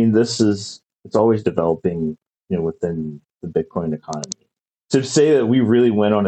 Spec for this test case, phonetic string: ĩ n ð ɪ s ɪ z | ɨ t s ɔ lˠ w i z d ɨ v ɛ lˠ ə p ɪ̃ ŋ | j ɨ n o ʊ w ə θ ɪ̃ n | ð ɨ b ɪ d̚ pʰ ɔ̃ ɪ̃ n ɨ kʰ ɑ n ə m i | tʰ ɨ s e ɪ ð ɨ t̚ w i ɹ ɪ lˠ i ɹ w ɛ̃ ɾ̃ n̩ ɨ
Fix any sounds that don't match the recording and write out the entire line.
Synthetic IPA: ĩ n ð ɪ s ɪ z | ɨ t s ɔ lˠ w i z d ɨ v ɛ lˠ ə p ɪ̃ ŋ | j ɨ n o ʊ w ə θ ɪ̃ n | ð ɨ b ɪ d̚ kʰ ɔ̃ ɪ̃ n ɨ kʰ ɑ n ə m i | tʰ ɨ s e ɪ ð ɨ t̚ w i ɹ ɪ lˠ i w ɛ̃ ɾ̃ n̩ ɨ